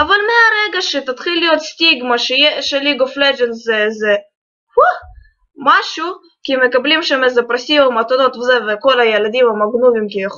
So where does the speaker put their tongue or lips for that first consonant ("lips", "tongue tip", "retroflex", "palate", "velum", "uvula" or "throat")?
lips